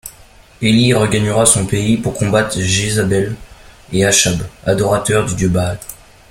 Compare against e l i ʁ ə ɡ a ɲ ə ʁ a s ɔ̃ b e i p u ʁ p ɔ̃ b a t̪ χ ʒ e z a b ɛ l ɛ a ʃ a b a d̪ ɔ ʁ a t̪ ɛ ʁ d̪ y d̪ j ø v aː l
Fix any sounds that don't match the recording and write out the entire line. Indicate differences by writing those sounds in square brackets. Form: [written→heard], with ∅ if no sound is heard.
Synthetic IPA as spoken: e l i ʁ ə ɡ a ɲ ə ʁ a s ɔ̃ [b→p] e i p u ʁ [p→k] ɔ̃ b a t̪ χ ʒ e z a b ɛ l [ɛ→e] a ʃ a b a d̪ ɔ ʁ a t̪ [ɛ→œ] ʁ d̪ y d̪ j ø [v→b] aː l